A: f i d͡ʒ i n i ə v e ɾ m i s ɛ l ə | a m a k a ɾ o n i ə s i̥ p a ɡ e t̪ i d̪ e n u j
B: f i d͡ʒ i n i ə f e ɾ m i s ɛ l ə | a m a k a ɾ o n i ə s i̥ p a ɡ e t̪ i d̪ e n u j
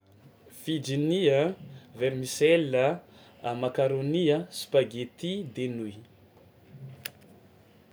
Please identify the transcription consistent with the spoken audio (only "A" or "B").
A